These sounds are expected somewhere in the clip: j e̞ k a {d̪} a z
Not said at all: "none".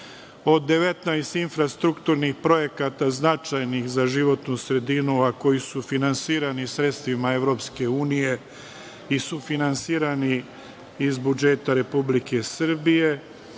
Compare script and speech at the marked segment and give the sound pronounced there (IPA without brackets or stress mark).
t̪